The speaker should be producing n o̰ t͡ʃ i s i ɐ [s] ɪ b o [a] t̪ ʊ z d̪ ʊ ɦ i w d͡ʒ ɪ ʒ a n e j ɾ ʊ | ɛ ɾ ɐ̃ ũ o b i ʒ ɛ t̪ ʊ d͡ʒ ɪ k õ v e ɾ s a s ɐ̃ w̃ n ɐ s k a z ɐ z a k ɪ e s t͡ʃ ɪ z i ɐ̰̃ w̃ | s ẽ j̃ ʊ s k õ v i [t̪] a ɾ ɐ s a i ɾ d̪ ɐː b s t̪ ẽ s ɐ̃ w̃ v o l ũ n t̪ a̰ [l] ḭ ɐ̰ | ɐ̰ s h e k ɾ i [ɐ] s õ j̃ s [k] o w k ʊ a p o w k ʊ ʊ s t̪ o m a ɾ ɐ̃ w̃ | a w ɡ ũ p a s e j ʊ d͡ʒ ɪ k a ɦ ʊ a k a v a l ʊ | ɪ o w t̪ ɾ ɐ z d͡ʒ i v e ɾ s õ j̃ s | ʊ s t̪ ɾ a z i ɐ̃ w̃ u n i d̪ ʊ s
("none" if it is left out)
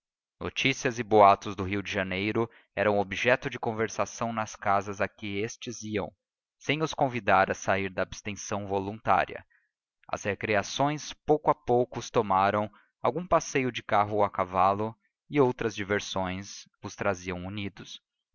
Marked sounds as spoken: z, a, d̪, ɾ, a, p

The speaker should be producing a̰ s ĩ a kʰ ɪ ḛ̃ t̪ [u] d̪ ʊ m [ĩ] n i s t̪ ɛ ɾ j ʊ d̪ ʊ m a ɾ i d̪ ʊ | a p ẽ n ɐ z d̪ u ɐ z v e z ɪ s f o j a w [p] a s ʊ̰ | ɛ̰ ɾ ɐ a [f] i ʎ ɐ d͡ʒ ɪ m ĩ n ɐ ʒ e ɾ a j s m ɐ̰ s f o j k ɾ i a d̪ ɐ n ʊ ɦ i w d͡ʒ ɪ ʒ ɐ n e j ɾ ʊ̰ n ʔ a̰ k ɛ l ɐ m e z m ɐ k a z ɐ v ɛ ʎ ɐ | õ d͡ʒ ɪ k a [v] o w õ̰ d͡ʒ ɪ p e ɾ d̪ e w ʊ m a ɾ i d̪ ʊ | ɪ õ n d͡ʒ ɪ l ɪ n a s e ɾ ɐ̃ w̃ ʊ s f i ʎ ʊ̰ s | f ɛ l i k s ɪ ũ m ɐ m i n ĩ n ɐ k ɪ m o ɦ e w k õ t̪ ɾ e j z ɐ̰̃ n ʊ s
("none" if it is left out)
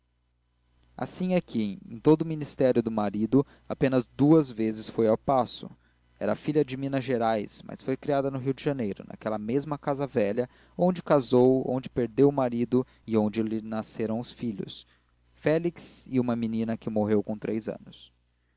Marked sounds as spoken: o, i, p, f, z

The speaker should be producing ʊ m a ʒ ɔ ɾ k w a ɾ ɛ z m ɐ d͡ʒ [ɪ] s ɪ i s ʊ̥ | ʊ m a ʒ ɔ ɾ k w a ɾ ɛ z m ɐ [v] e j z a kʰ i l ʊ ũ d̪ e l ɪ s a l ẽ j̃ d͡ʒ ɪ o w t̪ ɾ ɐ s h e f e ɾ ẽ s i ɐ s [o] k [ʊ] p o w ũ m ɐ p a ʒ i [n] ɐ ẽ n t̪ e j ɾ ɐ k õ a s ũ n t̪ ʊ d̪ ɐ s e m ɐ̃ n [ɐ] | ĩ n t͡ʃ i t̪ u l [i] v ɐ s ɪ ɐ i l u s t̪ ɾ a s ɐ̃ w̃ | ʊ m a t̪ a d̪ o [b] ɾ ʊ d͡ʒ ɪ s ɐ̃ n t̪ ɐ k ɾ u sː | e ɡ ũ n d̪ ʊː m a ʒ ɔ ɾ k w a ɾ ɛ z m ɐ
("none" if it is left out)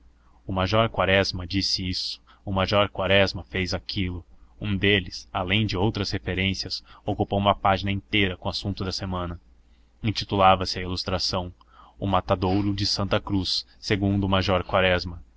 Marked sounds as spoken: i, f, o, u, n, ɐ, a, w

